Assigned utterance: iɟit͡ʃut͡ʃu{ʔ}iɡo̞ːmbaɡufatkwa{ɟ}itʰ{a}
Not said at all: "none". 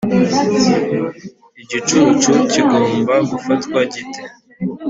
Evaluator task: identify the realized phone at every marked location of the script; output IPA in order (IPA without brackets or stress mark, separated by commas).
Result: c, ɟ, e